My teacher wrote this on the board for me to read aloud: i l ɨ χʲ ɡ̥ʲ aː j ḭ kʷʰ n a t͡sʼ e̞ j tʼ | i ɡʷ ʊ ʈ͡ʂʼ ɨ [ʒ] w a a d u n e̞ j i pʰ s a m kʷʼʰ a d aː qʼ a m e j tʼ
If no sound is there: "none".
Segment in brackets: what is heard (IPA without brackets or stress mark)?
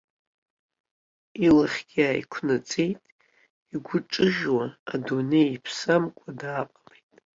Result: ʒ